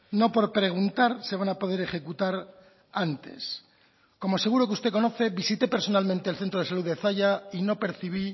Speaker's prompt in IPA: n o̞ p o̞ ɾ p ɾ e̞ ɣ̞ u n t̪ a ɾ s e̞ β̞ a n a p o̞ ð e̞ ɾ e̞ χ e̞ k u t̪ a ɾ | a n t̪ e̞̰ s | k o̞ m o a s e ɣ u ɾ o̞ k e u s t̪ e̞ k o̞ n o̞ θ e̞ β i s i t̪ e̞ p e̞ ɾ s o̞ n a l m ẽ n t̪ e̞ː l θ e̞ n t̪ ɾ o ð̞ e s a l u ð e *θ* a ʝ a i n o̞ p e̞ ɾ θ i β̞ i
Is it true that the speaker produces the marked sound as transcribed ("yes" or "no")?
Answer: yes